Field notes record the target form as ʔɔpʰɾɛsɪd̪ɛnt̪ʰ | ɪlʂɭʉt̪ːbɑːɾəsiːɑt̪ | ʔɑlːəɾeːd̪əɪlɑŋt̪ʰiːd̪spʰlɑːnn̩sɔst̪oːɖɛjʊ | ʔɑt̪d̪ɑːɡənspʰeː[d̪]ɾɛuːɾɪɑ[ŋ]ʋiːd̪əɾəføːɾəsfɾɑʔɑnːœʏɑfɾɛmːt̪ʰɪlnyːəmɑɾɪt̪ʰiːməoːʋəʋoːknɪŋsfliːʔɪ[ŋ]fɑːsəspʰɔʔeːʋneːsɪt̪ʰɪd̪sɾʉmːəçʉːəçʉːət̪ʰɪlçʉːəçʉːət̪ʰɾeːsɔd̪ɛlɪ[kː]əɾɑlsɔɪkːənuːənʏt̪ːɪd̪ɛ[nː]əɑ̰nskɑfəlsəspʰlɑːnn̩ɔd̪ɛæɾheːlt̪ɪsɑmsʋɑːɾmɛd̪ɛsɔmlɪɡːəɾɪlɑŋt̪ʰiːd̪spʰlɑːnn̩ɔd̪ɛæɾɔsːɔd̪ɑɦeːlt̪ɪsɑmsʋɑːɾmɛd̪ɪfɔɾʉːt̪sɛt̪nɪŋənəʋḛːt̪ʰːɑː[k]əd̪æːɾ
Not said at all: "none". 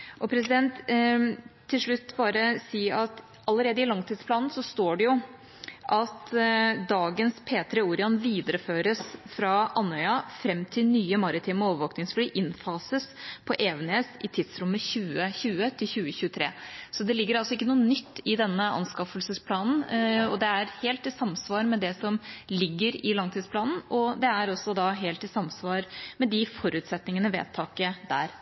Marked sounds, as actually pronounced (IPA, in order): t̪, n, n, ɡː, nː, k

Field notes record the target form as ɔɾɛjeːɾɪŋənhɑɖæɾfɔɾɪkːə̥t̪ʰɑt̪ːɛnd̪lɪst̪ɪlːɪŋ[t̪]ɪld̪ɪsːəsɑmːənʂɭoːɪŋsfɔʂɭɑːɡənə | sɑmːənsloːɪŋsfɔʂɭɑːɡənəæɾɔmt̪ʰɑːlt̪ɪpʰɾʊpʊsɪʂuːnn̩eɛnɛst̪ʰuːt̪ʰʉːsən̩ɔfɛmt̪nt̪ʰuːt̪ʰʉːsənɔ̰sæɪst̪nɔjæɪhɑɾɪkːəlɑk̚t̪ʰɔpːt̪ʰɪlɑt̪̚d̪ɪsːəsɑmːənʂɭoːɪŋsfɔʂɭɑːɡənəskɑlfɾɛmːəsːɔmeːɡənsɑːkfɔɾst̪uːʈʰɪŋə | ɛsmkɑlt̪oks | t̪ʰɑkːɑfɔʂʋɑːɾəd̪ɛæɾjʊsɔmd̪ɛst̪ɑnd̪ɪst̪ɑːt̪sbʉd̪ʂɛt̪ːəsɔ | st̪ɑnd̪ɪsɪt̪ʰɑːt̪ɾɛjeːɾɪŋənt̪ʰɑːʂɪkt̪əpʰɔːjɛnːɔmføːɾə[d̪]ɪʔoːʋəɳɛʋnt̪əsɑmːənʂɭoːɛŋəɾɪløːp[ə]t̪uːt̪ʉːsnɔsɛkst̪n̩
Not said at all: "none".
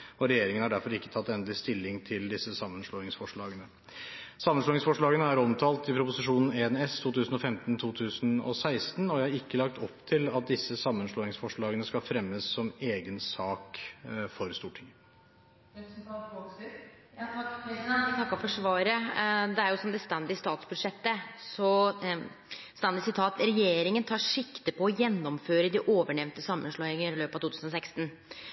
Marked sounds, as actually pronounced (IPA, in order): t̪ʰ, d̪, ɑ

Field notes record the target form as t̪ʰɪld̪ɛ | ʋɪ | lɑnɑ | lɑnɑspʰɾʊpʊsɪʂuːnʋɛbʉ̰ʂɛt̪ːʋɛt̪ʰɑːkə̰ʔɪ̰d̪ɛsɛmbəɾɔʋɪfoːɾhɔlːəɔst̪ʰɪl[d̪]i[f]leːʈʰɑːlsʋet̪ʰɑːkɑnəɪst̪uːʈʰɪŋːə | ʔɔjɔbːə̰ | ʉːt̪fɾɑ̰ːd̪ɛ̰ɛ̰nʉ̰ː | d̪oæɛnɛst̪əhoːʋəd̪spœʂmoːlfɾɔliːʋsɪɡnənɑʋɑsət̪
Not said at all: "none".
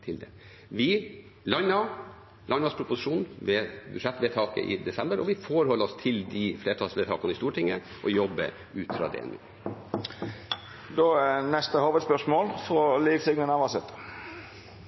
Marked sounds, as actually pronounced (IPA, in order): d̪, f

